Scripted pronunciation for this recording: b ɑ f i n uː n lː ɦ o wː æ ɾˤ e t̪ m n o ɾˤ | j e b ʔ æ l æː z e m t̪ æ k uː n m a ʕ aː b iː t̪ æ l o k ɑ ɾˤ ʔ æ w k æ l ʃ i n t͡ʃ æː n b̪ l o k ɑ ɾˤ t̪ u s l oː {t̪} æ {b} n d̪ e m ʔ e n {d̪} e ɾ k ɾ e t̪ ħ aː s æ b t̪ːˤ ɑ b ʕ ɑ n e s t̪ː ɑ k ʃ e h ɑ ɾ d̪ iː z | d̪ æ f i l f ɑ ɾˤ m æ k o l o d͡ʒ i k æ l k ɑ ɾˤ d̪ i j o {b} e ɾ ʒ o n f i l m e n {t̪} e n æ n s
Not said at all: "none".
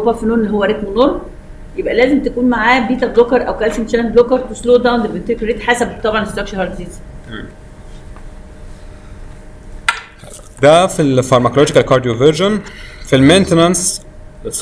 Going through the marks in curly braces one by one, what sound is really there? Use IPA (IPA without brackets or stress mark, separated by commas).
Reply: d̪, w, t̪, v, t̪